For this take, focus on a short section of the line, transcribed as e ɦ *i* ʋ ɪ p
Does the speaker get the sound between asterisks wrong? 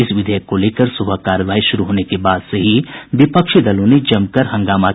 no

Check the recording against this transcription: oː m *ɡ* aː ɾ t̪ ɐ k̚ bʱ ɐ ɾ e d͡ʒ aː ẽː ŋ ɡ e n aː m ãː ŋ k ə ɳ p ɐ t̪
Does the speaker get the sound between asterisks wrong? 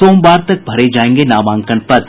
yes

